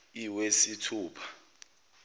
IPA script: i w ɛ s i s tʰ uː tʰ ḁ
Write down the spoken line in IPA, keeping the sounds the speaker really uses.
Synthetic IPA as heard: i w e s i tʰ uː pʰ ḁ